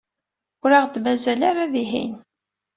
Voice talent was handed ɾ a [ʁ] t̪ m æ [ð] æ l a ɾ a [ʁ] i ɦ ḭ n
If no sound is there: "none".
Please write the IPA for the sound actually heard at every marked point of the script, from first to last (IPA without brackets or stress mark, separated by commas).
ʁ, z, ð